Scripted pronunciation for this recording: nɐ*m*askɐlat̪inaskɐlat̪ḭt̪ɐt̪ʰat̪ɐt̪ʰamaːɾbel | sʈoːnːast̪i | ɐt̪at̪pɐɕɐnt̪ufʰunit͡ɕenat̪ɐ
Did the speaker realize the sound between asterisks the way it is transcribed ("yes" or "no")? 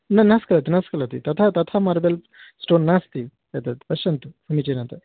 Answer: no